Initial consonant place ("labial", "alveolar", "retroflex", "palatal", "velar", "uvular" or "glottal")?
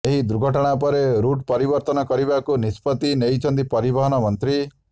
glottal